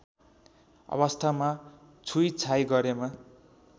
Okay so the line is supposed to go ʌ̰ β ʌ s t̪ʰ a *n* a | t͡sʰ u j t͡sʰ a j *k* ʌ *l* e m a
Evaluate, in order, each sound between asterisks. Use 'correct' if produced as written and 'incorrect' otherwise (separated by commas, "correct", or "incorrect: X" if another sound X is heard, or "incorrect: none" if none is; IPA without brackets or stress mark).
incorrect: m, incorrect: ɡ, incorrect: ɾ